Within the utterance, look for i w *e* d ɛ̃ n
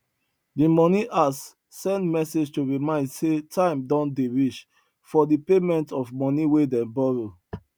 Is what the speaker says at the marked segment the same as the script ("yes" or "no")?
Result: yes